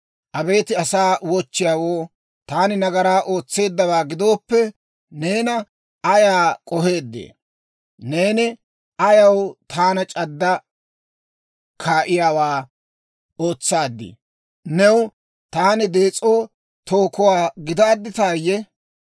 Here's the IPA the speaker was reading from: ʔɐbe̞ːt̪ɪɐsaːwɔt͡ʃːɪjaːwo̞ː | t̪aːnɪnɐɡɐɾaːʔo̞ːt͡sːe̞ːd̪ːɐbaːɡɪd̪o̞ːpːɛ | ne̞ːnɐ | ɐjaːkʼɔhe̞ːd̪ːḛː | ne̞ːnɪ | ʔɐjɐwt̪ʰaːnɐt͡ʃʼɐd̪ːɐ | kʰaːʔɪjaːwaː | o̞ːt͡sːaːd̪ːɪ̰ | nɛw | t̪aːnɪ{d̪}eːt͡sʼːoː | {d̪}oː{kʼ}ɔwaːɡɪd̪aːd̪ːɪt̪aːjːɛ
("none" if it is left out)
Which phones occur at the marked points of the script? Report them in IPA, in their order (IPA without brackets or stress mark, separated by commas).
d̪, t̪, k